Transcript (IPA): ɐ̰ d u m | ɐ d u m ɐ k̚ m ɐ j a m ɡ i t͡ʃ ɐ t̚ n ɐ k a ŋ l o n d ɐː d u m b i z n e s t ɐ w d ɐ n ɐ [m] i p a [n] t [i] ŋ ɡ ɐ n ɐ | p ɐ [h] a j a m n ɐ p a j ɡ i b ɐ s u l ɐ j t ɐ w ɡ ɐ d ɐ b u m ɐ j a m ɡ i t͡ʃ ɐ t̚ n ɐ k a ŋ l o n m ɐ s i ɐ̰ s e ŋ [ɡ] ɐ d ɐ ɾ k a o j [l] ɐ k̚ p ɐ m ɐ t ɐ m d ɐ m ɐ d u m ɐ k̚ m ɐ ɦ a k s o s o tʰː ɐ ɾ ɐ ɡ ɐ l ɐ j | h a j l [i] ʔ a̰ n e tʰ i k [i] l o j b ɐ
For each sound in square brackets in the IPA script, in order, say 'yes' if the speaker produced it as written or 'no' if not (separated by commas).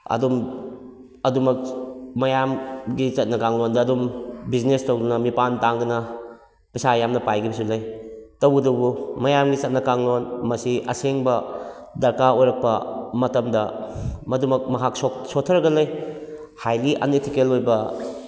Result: yes, yes, no, no, no, no, yes, no